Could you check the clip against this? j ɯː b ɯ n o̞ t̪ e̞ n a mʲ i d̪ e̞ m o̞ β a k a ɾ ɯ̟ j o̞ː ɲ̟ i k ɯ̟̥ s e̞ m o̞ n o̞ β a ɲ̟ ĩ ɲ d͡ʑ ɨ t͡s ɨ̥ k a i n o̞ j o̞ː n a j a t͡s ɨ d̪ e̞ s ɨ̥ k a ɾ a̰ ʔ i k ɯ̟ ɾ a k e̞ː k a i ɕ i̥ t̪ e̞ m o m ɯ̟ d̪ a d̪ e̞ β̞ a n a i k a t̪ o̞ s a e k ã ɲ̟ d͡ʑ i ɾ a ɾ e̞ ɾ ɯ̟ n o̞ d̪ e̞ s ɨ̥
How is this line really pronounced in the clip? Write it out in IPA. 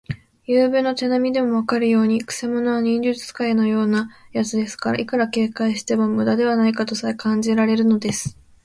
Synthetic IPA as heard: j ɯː b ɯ n o̞ t̪ e̞ n a mʲ i d̪ e̞ m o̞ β a k a ɾ ɯ̟ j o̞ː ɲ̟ i k ɯ̟̥ s e̞ m o̞ n o̞ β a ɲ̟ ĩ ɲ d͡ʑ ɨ t͡s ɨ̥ k a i n o̞ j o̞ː n a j a t͡s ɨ d̪ e̞ s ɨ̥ k a ɾ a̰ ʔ i k ɯ̟ ɾ a k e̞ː k a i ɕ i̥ t̪ e̞ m o m ɯ̟ d̪ a d̪ e̞ β̞ a n a i k a t̪ o̞ s a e k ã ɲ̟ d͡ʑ i ɾ a ɾ e̞ ɾ ɯ̟ n o̞ d̪ e̞ s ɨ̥